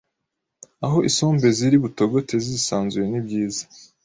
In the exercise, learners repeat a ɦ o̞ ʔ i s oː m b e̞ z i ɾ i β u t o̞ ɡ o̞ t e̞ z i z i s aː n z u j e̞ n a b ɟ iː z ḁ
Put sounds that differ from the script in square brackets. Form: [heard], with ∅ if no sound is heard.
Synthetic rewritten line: a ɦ o̞ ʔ i s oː m b e̞ z i ɾ i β u t o̞ ɡ o̞ t e̞ z i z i s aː n z u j e̞ n [i] b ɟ iː z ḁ